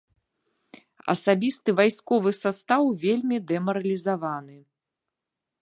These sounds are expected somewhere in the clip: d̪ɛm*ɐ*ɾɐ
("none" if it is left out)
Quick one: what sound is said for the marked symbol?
ɐ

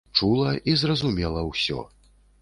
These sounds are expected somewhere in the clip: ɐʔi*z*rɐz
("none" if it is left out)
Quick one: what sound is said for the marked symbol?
z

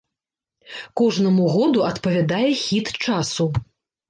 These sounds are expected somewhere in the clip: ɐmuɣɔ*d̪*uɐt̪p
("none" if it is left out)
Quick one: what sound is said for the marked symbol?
d̪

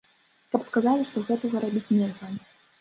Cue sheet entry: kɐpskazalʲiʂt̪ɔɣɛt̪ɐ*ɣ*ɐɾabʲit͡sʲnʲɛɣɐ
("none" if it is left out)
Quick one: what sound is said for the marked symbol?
z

